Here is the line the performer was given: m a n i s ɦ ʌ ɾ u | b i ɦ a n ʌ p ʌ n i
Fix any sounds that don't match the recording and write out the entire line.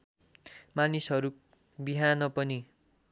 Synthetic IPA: m a n i s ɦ ʌ ɾ u | b i ɦ a n ʌ p ʌ n i